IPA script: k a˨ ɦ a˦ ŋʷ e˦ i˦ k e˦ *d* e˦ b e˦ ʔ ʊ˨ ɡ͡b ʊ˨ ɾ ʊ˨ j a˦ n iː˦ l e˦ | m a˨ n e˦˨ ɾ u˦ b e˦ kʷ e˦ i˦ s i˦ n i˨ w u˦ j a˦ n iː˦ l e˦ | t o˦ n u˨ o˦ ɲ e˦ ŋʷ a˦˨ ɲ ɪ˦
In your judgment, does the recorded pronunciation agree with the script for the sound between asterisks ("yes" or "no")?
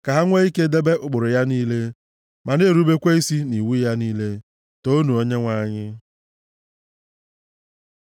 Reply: yes